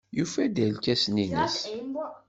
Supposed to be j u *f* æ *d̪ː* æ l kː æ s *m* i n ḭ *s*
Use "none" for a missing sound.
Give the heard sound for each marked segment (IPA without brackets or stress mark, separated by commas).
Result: f, d̪, n, s